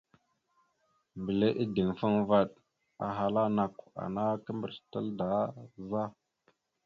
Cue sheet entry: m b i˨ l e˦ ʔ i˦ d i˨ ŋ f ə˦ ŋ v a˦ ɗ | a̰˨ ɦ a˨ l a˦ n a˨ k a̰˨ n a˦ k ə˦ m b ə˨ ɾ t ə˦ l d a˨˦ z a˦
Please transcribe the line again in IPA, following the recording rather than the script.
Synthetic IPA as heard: m b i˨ l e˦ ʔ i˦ d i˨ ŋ f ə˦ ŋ v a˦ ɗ | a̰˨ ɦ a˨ l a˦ n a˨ k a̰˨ n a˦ k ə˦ m b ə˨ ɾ t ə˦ l d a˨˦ z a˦